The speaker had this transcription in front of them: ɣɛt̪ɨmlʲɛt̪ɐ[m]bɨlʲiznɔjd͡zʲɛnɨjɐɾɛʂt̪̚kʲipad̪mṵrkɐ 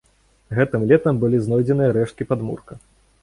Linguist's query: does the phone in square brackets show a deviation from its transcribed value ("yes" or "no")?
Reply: no